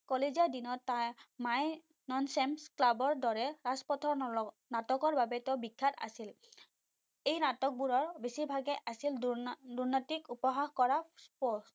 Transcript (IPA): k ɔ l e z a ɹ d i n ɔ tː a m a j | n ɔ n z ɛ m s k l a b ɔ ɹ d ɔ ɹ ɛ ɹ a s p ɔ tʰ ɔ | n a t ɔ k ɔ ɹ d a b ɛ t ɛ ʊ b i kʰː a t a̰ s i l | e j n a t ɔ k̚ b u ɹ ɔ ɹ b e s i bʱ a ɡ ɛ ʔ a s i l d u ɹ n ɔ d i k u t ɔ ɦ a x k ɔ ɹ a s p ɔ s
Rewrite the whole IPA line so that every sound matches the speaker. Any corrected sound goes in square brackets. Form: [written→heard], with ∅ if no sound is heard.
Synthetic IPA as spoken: k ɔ l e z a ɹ d i n ɔ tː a m a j | n ɔ n [z→s] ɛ m s k l a b ɔ ɹ d ɔ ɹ ɛ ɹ a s p ɔ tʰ ɔ | n a t ɔ k ɔ ɹ [d→b] a b ɛ t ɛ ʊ b i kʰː a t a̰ s i l | e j n a t ɔ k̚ b u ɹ ɔ ɹ b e s i bʱ a ɡ ɛ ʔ a s i l d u ɹ n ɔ [d→t] i k u [t→p] ɔ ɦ a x k ɔ ɹ a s p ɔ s